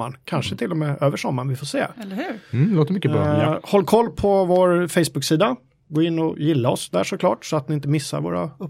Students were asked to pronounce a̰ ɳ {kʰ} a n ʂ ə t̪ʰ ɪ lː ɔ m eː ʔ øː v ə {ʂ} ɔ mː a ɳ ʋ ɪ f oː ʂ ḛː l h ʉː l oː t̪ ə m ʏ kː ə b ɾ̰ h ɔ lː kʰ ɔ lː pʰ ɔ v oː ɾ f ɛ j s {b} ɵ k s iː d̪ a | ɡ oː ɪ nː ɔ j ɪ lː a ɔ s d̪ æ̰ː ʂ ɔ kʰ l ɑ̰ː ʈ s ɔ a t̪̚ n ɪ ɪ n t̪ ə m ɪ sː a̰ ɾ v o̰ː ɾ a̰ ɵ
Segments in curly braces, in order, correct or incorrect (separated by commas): correct, correct, correct